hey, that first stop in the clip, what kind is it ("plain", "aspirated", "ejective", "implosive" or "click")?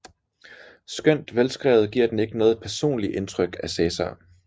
plain